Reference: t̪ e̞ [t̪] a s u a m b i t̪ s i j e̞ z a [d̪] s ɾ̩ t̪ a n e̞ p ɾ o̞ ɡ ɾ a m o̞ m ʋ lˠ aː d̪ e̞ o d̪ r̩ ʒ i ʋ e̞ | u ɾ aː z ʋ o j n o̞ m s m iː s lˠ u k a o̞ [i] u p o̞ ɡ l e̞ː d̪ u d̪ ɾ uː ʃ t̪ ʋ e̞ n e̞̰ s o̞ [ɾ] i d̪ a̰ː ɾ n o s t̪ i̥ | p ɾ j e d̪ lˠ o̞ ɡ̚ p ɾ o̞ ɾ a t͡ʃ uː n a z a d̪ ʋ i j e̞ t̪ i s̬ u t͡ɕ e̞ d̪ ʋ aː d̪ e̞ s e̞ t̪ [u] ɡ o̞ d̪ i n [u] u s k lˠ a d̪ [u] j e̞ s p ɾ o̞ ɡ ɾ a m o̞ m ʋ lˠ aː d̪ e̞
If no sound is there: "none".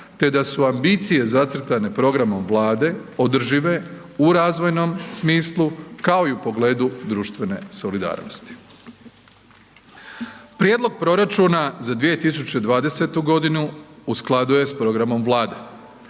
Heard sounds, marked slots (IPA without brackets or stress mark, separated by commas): d̪, t̪, i, l, u, u, u